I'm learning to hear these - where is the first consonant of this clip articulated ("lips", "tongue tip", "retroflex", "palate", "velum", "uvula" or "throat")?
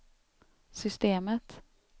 tongue tip